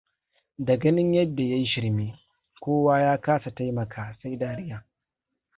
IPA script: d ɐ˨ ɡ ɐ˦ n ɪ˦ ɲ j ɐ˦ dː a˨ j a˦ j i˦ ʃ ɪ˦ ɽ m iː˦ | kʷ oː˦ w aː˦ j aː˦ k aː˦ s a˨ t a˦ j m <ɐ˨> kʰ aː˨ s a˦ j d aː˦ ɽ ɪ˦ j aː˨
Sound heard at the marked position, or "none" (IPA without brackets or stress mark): ɐ˨